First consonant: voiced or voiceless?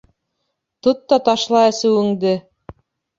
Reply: voiceless